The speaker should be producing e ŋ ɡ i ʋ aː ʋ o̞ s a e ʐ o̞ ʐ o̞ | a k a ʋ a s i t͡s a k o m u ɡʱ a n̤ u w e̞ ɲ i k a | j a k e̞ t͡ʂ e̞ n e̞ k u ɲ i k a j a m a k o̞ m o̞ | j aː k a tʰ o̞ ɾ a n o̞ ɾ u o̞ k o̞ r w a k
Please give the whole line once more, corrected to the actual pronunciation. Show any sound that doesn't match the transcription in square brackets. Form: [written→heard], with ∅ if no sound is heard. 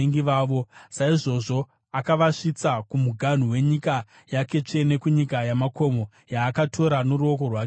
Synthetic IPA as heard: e ŋ ɡ i ʋ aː ʋ o̞ s a [e→i] ʐ o̞ ʐ o̞ | a k a ʋ a [s→ʂ] i t͡s a k [o→u] m u ɡʱ a n̤ u w e̞ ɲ i k a | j a k e̞ t͡ʂ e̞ n e̞ k u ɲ i k a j a m a k o̞ m o̞ | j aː k a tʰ o̞ ɾ a n o̞ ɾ u o̞ k o̞ r w a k